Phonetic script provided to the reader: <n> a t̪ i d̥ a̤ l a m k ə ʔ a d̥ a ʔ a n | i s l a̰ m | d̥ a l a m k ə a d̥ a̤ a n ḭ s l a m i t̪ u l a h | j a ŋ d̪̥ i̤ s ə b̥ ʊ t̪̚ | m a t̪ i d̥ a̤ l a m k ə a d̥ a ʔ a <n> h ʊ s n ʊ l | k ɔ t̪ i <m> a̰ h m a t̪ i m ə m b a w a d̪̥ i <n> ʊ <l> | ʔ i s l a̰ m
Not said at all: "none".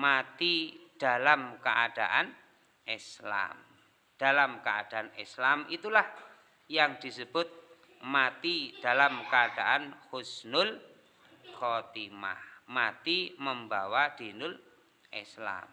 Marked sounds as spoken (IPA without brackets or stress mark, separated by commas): m, n, m, n, l